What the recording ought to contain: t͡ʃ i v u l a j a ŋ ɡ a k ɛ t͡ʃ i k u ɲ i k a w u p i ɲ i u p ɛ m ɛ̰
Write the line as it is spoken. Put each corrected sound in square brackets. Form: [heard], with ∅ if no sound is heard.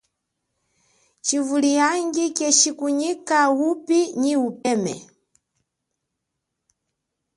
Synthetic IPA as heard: t͡ʃ i v u l [i] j a ŋ ɡ [i] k ɛ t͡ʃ i k u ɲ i k a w u p i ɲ i u p ɛ m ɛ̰